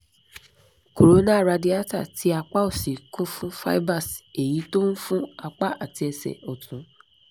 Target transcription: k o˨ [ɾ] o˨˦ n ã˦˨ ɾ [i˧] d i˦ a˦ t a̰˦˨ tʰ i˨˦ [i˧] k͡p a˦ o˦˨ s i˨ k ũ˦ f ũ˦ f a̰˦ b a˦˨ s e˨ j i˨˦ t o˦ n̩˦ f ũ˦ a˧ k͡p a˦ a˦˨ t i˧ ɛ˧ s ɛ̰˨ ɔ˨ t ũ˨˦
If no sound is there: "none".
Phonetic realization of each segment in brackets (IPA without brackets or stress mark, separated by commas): ɾ, a˧, a˧